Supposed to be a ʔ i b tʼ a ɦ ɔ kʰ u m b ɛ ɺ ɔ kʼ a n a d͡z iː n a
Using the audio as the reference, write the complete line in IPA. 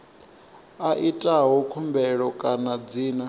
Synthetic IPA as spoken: a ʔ i tʼ a ɦ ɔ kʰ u m b ɛ ɺ ɔ kʼ a n a d͡z iː n a